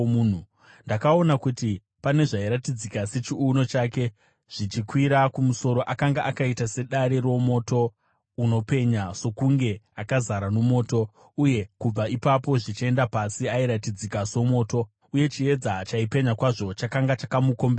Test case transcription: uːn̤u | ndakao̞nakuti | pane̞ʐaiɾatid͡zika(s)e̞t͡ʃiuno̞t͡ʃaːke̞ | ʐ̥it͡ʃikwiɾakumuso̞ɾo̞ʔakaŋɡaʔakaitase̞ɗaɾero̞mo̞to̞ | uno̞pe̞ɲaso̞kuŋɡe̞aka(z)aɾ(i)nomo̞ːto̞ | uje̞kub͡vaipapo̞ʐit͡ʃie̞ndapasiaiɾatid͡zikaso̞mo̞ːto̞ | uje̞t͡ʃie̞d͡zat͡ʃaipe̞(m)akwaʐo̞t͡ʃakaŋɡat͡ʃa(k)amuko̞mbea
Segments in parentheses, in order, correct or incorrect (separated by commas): correct, correct, incorrect, incorrect, correct